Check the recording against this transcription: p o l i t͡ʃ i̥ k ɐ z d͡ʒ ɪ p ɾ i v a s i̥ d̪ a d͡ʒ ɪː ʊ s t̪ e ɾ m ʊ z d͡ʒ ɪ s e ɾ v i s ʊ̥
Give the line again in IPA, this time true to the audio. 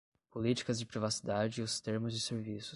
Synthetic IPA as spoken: p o l i t͡ʃ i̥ k ɐ z d͡ʒ ɪ p ɾ i v a s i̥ d̪ a d͡ʒ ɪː ʊ s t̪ e ɾ m ʊ z d͡ʒ ɪ s e ɾ v i s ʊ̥